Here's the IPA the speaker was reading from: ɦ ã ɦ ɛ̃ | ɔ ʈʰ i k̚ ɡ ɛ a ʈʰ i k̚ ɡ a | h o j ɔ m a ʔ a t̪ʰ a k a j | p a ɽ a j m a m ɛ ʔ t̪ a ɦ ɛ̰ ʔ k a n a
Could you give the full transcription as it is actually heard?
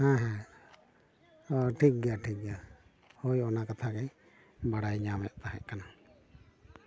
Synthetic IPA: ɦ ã ɦ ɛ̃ | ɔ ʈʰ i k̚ ɡ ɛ a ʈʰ i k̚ ɡ a | h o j ɔ n a k a t̪ʰ a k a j | b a ɽ a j ɲ a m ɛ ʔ t̪ a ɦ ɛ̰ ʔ k a n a